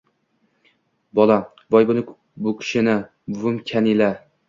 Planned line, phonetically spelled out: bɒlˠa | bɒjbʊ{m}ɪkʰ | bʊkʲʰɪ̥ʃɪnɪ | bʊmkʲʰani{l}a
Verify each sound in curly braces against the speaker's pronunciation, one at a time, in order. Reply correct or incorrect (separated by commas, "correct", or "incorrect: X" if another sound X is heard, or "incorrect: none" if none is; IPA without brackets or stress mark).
incorrect: n, correct